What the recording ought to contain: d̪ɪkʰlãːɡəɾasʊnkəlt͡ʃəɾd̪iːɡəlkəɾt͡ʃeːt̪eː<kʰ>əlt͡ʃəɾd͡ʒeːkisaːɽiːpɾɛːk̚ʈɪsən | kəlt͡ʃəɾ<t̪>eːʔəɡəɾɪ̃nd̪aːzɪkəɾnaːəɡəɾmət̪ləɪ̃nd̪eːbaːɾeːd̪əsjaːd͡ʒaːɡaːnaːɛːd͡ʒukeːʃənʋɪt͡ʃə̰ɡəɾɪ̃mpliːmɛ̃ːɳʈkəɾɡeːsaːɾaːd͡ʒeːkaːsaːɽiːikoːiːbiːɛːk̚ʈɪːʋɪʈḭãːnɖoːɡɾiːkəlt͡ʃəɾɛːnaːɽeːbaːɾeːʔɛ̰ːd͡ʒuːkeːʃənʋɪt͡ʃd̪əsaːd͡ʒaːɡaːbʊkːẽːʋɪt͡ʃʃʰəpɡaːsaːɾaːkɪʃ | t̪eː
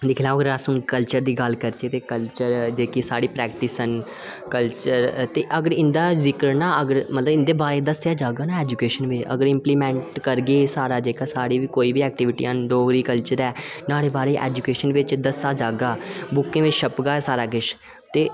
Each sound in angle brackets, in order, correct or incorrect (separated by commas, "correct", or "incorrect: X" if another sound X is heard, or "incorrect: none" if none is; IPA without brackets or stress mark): incorrect: k, correct